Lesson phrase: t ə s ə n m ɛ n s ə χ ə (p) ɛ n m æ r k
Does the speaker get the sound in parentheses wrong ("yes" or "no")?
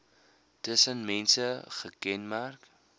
yes